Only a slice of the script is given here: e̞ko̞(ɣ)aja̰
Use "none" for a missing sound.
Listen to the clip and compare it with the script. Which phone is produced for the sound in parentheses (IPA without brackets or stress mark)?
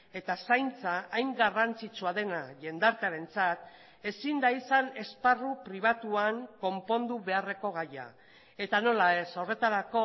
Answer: ɣ